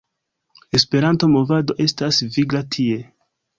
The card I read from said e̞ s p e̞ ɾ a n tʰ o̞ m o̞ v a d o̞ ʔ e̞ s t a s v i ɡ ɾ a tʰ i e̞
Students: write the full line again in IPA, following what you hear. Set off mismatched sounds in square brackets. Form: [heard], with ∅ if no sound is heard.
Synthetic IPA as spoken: e̞ s p e̞ ɾ a n [t] o̞ m o̞ v a d o̞ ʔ e̞ s t a s v i ɡ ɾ a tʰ i e̞